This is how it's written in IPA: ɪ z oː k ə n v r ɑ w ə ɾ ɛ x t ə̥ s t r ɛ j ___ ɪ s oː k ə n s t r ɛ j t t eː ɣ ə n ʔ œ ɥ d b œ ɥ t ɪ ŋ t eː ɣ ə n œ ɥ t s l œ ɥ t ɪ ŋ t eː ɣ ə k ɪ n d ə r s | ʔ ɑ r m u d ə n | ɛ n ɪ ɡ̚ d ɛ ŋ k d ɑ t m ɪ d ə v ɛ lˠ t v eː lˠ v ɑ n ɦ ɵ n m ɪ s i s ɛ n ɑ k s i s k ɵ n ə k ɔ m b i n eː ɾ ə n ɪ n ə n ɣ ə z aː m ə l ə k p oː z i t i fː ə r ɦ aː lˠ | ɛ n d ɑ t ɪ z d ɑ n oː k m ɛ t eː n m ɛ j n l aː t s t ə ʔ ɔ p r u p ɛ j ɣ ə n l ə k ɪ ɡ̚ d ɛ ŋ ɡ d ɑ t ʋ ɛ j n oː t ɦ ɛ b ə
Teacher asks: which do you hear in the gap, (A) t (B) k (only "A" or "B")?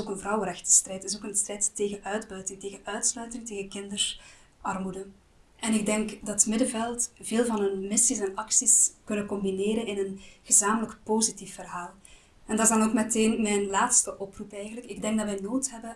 A